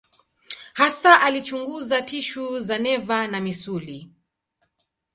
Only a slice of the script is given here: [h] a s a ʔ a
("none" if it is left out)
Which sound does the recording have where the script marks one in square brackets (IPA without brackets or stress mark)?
h